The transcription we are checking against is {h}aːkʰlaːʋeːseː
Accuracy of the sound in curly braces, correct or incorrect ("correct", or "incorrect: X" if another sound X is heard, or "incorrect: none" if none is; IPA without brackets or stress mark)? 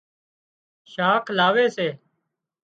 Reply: incorrect: ʃ